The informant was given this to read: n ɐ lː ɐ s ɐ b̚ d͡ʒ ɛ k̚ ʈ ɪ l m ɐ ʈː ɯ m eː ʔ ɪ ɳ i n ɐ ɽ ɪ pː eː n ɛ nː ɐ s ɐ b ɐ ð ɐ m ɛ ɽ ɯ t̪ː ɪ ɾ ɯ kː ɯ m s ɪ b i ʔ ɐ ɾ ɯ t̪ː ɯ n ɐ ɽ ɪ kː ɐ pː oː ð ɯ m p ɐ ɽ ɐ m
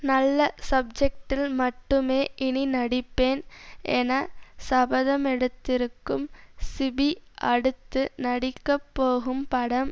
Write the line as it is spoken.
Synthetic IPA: n ɐ lː ɐ s ɐ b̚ d͡ʒ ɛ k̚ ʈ ɪ l m ɐ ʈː ɯ m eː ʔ ɪ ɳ i n ɐ ɽ ɪ pː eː n ɛ n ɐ s ɐ b ɐ ð ɐ m ɛ ɽ ɯ t̪ː ɪ ɾ ɯ kː ɯ m s ɪ b i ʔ ɐ ɽ ɯ t̪ː ɯ n ɐ ɽ ɪ kː ɐ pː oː ɣ ɯ m p ɐ ɽ ɐ m